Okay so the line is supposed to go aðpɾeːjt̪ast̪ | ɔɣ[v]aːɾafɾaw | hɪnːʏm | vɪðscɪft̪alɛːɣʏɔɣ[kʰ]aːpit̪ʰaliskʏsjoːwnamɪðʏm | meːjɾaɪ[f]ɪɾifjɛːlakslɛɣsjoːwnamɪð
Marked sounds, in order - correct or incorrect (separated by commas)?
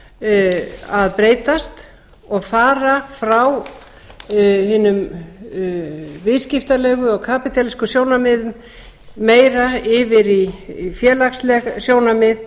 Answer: incorrect, correct, incorrect